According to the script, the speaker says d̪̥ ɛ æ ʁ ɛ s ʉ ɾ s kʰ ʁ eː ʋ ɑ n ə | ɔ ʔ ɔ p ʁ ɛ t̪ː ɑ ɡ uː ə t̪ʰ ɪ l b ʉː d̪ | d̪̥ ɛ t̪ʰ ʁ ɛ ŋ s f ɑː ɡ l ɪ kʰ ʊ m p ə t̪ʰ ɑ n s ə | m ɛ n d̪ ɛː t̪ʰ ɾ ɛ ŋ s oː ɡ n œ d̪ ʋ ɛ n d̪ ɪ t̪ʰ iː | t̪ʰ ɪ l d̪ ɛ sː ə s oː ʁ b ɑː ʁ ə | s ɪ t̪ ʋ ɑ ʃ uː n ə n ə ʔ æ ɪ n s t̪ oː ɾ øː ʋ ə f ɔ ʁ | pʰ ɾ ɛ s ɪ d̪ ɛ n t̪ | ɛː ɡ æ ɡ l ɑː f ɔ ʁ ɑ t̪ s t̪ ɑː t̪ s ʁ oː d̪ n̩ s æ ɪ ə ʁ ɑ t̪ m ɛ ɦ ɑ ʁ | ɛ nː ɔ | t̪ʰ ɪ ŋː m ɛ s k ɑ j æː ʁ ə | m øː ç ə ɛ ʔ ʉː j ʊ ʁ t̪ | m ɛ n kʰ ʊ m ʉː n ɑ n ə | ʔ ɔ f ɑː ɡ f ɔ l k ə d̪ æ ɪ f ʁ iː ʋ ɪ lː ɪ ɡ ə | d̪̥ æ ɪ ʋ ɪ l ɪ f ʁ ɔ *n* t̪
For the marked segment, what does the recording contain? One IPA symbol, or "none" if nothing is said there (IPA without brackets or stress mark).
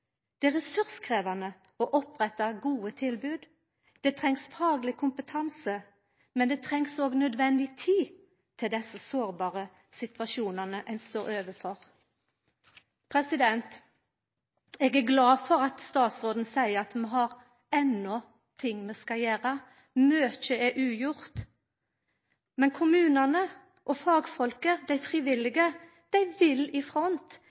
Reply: n